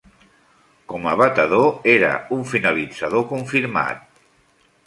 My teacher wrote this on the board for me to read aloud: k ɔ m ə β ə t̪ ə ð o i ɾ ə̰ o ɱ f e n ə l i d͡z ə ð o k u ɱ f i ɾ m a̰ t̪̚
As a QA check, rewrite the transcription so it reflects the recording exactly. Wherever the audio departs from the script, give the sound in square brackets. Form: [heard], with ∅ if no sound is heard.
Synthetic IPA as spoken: k ɔ m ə β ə t̪ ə ð o [e] ɾ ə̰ [u] ɱ f [i] n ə l i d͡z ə ð o k u ɱ f i ɾ m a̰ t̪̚